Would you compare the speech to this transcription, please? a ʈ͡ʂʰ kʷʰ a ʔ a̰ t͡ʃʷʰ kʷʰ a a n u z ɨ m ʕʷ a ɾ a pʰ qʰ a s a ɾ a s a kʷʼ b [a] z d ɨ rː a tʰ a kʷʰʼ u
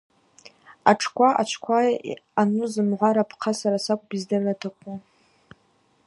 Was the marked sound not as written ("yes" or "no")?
yes